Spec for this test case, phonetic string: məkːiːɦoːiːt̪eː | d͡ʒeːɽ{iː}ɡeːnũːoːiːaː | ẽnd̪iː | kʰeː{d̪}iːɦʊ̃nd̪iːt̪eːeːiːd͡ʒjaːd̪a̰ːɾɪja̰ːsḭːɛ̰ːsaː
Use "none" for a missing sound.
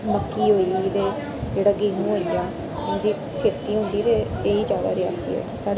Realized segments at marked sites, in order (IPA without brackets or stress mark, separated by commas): aː, t̪